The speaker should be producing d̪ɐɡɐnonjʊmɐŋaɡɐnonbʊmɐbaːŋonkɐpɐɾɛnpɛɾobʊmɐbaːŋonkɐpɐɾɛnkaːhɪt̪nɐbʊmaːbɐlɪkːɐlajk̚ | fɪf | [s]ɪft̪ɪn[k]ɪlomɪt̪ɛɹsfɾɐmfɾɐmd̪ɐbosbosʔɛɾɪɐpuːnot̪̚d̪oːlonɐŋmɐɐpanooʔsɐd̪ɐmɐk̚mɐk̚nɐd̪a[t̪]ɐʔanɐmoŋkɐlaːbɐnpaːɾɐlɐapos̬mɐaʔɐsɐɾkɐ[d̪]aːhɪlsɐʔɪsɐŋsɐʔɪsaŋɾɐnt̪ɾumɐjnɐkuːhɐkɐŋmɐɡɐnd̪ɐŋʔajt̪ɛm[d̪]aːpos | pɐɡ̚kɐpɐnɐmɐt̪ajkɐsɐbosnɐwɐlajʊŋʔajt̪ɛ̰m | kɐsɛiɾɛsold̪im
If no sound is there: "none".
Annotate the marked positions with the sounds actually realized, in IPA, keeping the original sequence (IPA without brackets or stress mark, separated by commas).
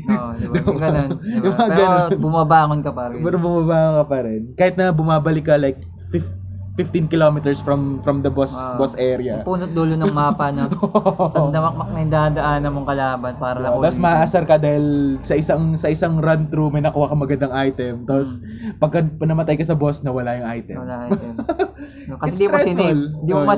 f, k, d̪, d̪, t̪